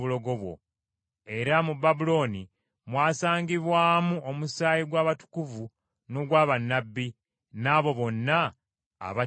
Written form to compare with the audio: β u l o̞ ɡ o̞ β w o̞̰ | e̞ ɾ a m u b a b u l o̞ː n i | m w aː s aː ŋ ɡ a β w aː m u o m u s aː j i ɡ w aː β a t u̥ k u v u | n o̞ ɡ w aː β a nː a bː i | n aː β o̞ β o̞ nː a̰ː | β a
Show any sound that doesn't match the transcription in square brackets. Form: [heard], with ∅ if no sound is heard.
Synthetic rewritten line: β u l o̞ ɡ o̞ β w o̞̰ | e̞ ɾ a m u b a b u l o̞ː n i | m w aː s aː ŋ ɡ [i] β w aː m u o m u s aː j i ɡ w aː β a t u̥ k u v u | n o̞ ɡ w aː β a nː a bː i | n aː β o̞ β o̞ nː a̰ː | β a